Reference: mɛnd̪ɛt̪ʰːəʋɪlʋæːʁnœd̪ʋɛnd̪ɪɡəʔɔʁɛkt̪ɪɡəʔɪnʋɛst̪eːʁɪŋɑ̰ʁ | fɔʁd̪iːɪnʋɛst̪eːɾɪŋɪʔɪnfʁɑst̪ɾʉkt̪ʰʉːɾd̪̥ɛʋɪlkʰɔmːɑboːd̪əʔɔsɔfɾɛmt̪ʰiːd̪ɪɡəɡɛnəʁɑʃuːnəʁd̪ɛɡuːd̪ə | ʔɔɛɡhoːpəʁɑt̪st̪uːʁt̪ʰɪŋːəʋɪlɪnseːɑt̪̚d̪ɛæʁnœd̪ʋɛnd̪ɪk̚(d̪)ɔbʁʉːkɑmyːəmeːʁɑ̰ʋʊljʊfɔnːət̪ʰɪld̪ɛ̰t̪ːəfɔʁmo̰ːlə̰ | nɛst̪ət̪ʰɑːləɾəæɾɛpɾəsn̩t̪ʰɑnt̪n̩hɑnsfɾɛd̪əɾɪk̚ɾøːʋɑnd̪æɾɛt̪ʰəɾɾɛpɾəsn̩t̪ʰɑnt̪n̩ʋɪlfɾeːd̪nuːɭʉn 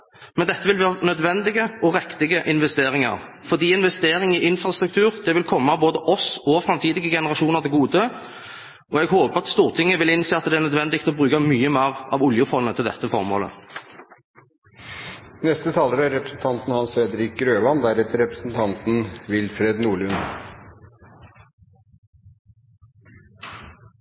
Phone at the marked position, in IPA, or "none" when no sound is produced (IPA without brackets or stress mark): t̪